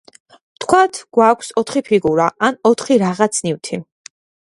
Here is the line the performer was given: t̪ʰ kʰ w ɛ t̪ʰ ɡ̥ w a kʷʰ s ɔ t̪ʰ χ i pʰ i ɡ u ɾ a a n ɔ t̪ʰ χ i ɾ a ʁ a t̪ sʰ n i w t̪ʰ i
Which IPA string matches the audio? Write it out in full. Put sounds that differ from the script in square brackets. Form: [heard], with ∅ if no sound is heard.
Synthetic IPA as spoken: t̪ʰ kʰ w [a] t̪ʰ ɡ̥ w a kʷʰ s ɔ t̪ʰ χ i pʰ i ɡ u ɾ a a n ɔ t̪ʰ χ i ɾ a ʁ a t̪ sʰ n i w t̪ʰ i